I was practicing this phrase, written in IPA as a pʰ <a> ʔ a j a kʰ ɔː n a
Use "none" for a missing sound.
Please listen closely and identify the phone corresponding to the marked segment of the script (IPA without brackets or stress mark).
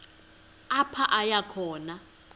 a